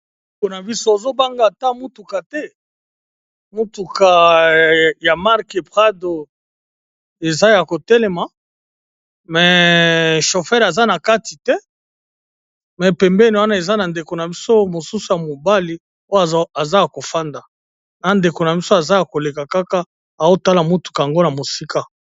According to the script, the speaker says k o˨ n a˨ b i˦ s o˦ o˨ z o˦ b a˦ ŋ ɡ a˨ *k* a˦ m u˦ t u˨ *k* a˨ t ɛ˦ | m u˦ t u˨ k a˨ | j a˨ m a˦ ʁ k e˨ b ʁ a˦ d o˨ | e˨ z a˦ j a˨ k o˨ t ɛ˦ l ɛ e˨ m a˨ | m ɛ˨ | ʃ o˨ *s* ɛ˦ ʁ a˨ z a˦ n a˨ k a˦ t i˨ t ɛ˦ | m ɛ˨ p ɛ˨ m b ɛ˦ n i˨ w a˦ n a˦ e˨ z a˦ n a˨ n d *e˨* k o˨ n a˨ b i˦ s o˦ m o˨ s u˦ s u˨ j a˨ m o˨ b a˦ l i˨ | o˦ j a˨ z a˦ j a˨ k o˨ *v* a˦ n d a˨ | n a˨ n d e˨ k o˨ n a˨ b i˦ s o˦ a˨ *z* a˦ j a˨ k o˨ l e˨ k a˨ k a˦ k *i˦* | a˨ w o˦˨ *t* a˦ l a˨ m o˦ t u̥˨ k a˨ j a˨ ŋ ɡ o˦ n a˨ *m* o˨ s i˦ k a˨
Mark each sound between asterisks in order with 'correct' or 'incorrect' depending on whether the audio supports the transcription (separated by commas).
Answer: incorrect, correct, incorrect, correct, incorrect, correct, incorrect, correct, correct